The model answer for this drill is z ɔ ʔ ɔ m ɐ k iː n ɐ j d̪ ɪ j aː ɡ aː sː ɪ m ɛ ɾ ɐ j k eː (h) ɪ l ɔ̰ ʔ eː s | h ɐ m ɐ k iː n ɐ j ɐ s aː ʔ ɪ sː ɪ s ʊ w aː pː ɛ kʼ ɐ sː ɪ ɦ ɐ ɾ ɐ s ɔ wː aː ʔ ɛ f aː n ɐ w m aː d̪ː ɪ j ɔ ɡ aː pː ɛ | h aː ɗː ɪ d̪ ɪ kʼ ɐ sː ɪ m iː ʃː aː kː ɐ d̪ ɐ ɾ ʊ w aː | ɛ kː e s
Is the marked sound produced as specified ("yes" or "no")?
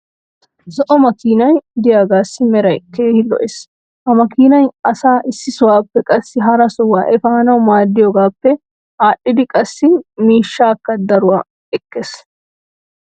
yes